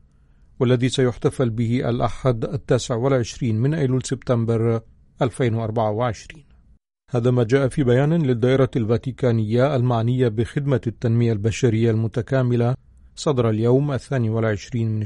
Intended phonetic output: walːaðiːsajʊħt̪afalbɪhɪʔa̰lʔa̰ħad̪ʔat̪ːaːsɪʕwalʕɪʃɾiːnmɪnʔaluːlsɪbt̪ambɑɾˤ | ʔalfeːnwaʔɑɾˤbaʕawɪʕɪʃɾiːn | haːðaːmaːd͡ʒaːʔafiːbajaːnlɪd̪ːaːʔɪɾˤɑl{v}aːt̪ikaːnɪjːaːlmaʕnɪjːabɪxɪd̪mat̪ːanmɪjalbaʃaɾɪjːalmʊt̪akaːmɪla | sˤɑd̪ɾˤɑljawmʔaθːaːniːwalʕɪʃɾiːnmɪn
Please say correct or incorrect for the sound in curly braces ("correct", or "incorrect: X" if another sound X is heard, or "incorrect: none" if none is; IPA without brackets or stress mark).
correct